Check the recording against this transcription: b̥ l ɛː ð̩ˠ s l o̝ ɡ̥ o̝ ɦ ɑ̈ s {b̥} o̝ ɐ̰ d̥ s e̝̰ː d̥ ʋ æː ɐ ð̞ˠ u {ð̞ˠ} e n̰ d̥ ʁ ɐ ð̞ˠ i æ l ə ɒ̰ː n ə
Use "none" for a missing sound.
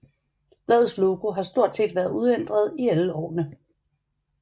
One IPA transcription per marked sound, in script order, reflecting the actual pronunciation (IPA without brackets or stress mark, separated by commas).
d̥, ð̞ˠ